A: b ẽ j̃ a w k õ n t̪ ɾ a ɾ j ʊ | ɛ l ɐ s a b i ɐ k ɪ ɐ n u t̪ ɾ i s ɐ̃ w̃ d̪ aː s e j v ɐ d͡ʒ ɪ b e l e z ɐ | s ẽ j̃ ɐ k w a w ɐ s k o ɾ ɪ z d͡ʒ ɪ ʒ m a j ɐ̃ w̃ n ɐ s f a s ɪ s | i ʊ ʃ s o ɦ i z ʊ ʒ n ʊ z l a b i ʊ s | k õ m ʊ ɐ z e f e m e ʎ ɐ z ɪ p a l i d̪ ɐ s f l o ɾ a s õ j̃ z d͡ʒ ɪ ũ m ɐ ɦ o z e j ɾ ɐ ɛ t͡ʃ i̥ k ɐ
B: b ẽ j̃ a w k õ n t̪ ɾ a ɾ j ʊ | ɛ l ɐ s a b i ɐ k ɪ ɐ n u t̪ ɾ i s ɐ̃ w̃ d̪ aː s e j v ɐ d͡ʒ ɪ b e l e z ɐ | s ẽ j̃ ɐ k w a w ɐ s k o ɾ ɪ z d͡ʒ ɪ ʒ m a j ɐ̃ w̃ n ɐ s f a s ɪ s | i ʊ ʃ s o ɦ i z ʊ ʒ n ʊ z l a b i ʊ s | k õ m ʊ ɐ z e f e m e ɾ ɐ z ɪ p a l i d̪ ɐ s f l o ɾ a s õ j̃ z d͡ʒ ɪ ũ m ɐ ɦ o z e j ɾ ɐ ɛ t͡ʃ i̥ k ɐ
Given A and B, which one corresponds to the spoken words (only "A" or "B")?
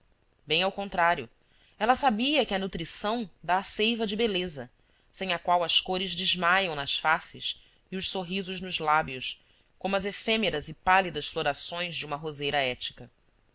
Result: B